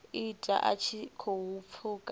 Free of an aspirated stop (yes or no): no